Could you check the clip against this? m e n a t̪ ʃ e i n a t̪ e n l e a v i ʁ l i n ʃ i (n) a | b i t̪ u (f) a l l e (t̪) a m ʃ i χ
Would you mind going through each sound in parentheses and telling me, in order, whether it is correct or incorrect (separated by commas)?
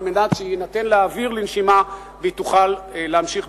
incorrect, incorrect, incorrect